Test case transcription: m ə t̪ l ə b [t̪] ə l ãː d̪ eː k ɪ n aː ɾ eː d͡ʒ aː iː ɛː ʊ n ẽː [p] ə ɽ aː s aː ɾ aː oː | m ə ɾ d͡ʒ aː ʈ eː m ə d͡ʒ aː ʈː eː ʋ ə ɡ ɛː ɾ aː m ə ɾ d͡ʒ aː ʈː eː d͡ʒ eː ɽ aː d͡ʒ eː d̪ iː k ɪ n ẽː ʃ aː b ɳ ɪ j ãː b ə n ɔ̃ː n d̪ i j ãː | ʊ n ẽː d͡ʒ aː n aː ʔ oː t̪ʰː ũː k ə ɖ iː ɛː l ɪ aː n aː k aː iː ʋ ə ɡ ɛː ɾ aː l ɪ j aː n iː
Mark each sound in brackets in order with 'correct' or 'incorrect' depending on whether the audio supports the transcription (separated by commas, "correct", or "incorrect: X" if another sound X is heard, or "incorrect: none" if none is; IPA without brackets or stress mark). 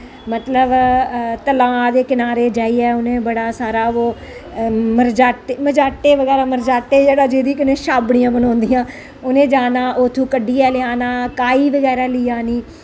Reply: correct, incorrect: b